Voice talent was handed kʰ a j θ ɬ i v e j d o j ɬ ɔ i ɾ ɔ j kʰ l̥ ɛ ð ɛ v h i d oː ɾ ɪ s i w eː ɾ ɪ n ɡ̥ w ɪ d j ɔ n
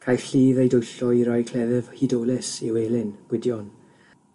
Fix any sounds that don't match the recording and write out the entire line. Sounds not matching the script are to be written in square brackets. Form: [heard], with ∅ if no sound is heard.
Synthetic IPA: kʰ a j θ ɬ [iː] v e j d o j ɬ ɔ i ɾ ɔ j kʰ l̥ ɛ ð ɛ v h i d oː [l] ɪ s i w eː [l] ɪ n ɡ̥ w ɪ d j ɔ n